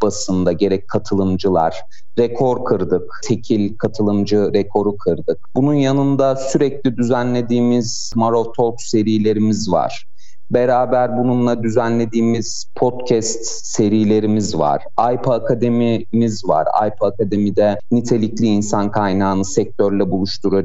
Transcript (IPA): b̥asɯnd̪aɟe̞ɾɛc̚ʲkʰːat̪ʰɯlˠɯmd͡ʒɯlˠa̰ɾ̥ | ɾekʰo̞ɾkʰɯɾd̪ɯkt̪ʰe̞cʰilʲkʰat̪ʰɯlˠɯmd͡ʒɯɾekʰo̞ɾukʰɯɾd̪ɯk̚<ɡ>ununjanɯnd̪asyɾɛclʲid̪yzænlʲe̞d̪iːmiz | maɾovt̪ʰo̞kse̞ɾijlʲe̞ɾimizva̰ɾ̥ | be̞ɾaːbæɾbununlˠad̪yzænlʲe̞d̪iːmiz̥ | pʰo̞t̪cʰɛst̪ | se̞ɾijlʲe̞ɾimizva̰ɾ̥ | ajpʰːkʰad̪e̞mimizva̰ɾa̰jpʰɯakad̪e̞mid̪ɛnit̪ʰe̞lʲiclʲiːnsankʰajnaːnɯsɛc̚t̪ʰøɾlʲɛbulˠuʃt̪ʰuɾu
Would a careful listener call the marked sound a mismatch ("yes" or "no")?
yes